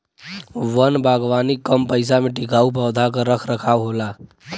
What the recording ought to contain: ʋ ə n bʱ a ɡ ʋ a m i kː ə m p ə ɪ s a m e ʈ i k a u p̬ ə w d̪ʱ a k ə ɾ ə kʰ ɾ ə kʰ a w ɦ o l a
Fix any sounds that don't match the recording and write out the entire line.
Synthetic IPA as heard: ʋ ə n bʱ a ɡ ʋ a n i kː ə m p ə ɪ s a m e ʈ i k a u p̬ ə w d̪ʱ a k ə ɾ ə kʰ ɾ ə kʰ a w ɦ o l a